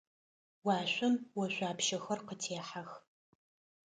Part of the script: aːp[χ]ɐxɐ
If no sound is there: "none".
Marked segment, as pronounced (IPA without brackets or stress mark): ʃ